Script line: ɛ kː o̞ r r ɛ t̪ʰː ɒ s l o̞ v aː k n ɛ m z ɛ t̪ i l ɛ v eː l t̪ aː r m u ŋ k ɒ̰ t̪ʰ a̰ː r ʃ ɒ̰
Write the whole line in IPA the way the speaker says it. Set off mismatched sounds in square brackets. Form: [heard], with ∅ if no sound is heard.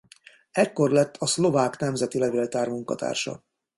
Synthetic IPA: ɛ kː o̞ r [l] ɛ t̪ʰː ɒ s l o̞ v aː k n ɛ m z ɛ t̪ i l ɛ v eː l t̪ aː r m u ŋ k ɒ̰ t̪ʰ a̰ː r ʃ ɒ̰